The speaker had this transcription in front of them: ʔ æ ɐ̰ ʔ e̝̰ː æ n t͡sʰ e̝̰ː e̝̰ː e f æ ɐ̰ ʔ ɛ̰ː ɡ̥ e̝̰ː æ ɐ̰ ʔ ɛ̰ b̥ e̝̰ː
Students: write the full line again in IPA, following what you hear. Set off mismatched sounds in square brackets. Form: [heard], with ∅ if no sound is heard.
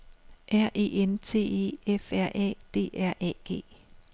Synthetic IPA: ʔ æ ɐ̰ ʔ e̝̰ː [e] n t͡sʰ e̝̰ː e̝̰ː e f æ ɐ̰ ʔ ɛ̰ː [d̥] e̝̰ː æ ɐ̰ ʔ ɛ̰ [ɡ̥] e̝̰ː